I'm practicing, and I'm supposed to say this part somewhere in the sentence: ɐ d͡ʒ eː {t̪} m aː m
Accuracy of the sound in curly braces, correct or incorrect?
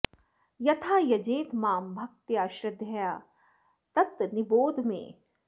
correct